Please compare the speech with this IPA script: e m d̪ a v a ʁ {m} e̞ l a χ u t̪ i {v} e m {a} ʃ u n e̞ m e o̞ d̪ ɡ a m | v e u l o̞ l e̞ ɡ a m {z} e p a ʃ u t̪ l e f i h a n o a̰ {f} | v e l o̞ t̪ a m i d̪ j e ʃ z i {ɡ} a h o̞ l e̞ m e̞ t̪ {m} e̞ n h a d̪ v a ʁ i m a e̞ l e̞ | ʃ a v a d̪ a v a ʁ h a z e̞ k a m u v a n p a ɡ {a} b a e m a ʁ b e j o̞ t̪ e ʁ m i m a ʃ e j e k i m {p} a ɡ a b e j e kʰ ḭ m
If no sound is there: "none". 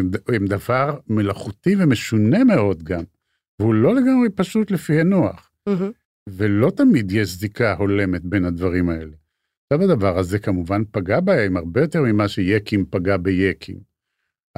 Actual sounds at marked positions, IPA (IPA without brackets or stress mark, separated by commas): m, v, e, ʁ, χ, k, b, a, p